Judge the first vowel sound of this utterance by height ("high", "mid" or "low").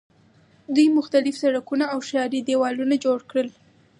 high